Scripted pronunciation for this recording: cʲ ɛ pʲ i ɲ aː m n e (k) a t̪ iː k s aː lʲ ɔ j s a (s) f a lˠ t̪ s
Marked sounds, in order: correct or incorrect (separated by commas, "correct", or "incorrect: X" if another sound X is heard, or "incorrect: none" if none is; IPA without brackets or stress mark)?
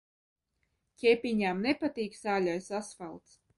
incorrect: p, correct